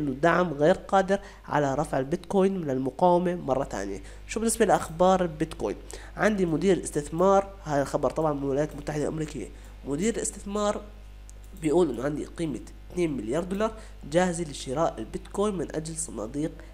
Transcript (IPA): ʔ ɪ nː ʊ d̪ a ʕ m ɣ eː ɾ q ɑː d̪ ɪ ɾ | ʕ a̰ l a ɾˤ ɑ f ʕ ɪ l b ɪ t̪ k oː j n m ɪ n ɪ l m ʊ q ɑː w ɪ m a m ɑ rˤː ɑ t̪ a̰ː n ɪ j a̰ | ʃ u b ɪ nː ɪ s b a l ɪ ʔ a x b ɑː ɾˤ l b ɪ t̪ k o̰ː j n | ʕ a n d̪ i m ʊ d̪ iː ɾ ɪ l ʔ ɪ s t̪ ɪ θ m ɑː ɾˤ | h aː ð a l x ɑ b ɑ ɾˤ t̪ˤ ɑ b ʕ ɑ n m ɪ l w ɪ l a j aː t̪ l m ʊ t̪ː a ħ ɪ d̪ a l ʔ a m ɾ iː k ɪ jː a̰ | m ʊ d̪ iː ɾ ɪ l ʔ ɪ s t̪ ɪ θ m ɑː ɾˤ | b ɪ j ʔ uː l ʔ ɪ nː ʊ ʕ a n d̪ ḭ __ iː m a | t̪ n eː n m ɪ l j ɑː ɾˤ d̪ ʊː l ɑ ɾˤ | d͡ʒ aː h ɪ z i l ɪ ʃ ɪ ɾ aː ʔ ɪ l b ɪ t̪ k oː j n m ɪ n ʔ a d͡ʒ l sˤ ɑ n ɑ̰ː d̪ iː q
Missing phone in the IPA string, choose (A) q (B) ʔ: A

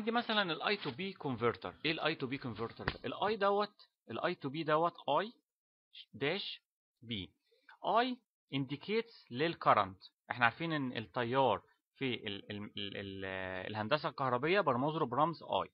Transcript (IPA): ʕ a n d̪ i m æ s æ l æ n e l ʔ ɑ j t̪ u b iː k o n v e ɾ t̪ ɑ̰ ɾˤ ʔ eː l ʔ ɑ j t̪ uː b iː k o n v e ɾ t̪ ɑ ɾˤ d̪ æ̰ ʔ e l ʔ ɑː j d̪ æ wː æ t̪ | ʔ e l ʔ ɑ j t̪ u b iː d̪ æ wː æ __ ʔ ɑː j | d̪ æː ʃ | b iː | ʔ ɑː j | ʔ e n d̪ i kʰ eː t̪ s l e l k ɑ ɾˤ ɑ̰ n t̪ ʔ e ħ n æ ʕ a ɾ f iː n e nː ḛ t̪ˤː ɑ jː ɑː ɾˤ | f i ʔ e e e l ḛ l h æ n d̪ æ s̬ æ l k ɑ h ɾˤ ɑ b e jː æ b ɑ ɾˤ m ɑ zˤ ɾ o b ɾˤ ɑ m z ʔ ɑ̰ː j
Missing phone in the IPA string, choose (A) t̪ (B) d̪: A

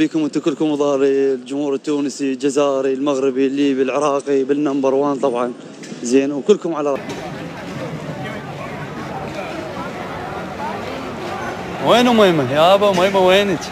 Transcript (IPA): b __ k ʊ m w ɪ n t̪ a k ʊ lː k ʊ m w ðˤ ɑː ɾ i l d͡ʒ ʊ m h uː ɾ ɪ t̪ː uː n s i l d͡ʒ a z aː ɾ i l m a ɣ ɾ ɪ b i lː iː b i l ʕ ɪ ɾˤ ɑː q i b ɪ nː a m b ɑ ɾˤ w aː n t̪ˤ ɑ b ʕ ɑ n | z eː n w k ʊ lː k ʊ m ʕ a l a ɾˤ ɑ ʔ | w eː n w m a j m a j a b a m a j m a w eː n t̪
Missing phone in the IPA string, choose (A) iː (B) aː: A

